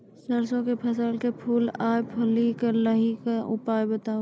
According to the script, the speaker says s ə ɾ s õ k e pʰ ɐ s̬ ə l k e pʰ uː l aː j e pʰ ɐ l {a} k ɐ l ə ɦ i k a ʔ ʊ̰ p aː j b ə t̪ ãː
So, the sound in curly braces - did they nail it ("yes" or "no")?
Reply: no